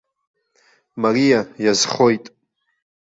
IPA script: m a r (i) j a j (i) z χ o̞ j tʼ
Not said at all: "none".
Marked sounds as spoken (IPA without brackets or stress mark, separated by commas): i, a